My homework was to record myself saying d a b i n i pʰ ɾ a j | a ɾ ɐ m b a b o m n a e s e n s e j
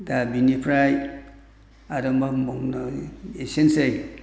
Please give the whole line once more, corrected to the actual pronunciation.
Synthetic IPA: d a b i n i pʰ ɾ a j | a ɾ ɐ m b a m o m n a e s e n s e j